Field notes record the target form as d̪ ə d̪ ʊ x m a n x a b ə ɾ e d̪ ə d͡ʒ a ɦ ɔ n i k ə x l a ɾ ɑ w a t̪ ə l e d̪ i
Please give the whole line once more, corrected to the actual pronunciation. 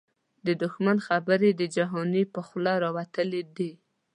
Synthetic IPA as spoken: d̪ ə d̪ ʊ x m a n x a b ə ɾ e d̪ ə d͡ʒ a ɦ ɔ n i p ə x l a ɾ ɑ w a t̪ ə l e d̪ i